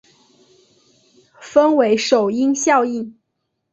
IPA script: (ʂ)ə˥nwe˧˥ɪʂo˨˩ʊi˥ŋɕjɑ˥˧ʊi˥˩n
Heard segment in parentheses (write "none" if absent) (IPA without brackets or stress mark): f